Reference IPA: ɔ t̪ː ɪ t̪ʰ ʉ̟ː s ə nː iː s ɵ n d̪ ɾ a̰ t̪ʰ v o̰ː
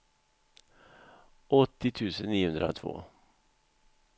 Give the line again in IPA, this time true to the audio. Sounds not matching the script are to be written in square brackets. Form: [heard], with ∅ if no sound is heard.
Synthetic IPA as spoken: ɔ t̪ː ɪ t̪ʰ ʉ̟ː s ə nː iː [h] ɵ n d̪ ɾ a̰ t̪ʰ v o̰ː